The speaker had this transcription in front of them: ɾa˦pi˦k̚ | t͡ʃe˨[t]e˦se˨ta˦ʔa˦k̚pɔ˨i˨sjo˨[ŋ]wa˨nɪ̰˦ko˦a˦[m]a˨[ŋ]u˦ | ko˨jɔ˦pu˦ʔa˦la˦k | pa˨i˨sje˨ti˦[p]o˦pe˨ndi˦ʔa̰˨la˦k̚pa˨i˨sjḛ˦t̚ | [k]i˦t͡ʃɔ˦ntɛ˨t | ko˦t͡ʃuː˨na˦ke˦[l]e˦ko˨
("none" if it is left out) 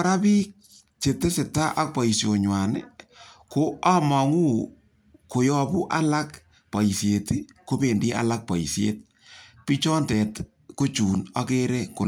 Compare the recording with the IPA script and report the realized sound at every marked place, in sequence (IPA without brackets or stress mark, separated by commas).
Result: t, ɲ, m, ŋ, k, p, ɾ